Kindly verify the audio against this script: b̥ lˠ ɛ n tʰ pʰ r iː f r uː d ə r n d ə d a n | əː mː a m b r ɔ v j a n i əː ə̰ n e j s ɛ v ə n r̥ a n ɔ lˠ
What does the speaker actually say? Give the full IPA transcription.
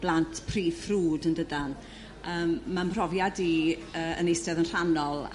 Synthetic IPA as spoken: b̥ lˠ a n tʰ pʰ r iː f r uː d ə n d ə d a n | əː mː a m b r ɔ v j a d i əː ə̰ n e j s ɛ ð ə n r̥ a n ɔ lˠ